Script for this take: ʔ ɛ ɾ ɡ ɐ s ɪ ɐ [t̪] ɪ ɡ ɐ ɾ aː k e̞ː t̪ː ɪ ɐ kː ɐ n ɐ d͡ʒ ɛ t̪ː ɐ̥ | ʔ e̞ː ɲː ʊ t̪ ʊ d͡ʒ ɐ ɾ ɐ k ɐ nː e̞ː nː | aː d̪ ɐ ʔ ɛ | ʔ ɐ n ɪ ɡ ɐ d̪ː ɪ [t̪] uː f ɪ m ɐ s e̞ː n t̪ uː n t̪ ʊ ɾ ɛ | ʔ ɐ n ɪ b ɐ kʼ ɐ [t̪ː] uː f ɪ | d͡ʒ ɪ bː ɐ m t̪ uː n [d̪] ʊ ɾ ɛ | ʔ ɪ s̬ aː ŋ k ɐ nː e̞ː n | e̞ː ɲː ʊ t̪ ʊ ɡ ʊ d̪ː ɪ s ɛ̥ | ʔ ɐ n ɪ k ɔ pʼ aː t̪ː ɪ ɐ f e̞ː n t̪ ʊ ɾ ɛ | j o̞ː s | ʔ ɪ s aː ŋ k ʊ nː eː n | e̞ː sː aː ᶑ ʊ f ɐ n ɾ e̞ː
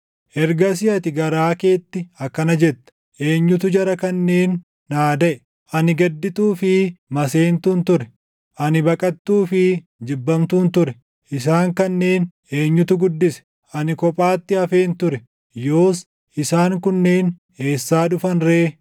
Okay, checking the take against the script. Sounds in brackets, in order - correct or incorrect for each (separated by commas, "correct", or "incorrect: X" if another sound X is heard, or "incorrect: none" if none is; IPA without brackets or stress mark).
correct, correct, correct, incorrect: t̪